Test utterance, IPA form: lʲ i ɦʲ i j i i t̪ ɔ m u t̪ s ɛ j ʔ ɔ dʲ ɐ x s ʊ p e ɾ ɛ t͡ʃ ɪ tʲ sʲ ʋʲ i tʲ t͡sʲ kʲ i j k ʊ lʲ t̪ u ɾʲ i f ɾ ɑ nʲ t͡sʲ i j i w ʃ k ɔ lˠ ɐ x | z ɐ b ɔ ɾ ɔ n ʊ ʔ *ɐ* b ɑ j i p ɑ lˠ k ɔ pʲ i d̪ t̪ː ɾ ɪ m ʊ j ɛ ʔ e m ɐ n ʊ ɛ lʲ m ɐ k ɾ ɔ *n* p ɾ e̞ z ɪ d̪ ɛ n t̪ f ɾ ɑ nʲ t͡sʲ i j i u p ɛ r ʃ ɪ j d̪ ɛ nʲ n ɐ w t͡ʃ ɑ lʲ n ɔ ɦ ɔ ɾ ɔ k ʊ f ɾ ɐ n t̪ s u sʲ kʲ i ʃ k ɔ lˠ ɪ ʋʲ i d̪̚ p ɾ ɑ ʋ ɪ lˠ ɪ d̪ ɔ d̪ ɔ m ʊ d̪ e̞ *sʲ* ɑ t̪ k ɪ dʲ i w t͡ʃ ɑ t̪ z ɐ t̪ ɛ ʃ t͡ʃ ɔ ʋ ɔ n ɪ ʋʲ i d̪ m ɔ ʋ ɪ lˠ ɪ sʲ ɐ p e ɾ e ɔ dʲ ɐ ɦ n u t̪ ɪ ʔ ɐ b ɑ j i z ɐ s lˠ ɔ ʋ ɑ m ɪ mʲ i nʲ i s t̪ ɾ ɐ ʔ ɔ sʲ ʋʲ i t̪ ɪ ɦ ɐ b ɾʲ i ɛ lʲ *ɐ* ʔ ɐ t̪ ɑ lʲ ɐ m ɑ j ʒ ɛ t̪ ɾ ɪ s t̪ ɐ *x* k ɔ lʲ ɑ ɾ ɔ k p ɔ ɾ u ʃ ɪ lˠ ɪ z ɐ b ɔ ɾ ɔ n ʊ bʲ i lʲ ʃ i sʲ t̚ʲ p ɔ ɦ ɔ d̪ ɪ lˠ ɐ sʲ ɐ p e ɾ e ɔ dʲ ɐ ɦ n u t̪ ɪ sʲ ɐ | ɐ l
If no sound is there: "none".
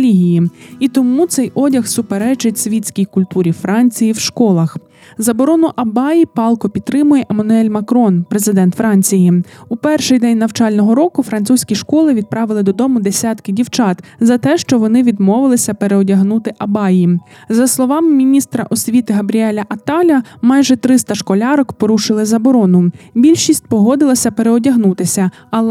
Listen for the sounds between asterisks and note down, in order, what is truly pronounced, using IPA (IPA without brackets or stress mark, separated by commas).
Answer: ɐ, n, sʲ, ɐ, ʃ